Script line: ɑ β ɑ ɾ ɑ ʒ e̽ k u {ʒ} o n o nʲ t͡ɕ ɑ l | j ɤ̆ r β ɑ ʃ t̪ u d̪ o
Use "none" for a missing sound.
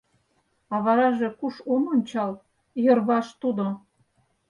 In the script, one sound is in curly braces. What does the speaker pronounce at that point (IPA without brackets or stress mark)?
ʃ